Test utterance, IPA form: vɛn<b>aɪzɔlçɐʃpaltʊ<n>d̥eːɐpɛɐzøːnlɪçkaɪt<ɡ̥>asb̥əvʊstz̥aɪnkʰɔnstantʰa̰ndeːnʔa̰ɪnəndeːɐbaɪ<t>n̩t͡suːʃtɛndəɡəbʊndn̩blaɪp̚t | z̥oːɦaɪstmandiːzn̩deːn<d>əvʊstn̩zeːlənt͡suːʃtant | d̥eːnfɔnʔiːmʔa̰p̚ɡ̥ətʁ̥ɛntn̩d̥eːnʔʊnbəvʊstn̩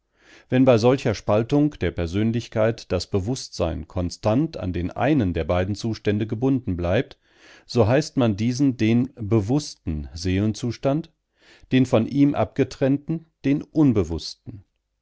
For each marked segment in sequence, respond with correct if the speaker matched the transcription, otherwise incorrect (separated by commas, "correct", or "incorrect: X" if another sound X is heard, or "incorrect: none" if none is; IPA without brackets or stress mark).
correct, incorrect: ŋ, incorrect: d̥, incorrect: d, incorrect: b